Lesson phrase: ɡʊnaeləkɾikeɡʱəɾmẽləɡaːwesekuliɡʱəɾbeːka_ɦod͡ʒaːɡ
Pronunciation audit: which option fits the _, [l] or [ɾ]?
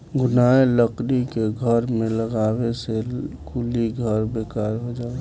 ɾ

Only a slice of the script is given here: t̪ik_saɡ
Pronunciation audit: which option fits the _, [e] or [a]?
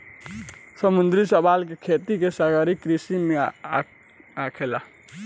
e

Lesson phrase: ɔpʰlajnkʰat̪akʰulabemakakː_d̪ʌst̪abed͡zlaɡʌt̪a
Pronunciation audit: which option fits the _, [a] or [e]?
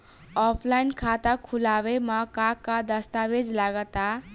a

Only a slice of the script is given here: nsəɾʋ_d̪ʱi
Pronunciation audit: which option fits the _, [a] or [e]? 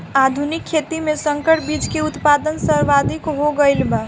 a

